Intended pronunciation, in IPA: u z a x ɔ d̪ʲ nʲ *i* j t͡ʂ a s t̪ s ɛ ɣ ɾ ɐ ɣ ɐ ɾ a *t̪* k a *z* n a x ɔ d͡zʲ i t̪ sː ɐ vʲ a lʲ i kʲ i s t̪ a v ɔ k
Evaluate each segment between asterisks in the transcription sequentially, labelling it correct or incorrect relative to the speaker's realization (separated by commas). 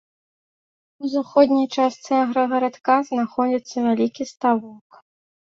correct, correct, correct